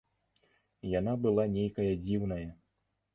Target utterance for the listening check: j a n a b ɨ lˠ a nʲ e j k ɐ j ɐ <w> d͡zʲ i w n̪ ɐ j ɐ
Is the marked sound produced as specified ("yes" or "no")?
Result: no